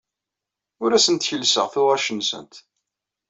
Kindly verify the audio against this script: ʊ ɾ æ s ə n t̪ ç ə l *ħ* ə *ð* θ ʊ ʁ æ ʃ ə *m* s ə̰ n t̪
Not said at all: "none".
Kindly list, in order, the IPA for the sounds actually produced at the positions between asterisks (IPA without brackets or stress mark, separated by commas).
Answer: s, ʁ, n